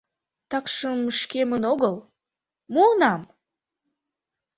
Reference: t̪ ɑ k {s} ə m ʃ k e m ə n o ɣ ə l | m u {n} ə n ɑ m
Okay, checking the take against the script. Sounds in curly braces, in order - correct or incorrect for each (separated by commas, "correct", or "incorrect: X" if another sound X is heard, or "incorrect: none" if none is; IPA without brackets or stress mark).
incorrect: ʃ, incorrect: none